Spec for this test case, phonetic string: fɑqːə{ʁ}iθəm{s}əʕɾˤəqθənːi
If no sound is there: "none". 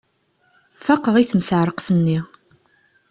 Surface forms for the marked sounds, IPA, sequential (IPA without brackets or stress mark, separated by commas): ʁ, s